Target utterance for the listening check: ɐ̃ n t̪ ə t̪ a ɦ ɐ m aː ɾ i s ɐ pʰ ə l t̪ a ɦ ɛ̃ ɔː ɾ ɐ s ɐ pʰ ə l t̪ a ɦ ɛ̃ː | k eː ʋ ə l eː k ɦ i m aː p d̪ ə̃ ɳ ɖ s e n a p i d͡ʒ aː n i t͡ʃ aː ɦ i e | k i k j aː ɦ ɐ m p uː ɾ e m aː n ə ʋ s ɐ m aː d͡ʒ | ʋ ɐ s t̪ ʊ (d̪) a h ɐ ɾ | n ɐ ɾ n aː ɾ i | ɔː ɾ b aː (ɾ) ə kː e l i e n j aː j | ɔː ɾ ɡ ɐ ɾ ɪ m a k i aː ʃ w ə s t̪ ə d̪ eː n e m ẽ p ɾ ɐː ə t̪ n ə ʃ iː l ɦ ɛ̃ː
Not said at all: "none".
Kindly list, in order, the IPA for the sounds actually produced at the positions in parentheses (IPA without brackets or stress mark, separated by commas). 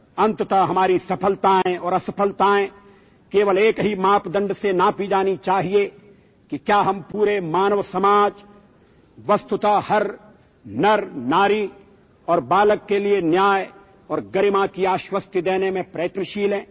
t̪, l